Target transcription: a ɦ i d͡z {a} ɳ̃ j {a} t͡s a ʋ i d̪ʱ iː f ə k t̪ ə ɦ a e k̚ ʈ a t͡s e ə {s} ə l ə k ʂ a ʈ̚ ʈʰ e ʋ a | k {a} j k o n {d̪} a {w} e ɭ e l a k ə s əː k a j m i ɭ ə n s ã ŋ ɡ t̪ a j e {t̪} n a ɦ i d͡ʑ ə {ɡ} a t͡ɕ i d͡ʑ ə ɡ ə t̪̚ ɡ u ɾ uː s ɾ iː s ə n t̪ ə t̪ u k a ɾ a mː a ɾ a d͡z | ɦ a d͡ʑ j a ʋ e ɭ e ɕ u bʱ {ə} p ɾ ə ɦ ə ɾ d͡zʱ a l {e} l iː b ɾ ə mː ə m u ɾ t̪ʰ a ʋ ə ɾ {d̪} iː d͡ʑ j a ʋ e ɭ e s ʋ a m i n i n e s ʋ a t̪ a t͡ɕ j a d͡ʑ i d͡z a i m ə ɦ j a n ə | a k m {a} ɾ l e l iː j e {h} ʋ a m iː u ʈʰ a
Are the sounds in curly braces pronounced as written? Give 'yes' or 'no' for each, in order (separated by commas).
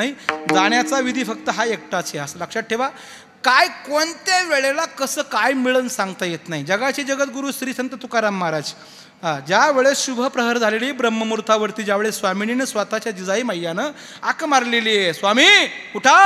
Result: yes, yes, yes, yes, no, no, yes, yes, yes, yes, no, yes, no